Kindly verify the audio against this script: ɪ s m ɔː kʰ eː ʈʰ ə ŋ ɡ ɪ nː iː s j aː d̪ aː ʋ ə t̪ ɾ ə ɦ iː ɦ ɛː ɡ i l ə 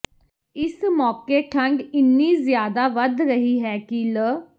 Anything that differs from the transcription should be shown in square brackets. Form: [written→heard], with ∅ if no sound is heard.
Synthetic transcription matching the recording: ɪ s m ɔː [kʰ→k] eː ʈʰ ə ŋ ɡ ɪ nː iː [s→z] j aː d̪ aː ʋ ə [t̪→d̪] ɾ ə ɦ iː ɦ ɛː [ɡ→k] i l ə